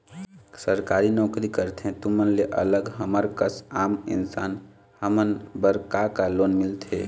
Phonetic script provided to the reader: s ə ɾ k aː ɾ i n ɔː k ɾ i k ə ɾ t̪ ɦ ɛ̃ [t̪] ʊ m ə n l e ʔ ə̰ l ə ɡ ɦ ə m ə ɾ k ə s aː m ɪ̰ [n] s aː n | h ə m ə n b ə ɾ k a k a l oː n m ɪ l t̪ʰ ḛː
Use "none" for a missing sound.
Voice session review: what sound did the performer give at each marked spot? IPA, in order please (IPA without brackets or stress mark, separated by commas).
t̪, n